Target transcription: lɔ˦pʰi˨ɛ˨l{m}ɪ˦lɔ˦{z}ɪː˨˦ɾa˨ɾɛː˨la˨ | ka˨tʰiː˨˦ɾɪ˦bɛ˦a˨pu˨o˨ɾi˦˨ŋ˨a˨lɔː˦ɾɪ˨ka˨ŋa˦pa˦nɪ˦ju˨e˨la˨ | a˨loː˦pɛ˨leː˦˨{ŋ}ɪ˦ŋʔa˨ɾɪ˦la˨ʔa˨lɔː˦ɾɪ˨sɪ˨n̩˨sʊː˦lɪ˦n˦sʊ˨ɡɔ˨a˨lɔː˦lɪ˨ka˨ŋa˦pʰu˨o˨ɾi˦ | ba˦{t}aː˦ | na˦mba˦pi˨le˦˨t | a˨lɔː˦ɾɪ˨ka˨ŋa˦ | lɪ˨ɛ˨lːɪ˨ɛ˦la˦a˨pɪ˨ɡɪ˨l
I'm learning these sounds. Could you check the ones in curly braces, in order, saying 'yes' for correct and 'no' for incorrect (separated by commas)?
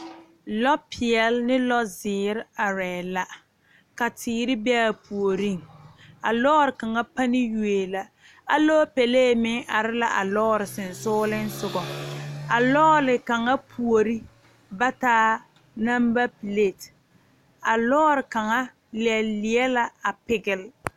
no, yes, no, yes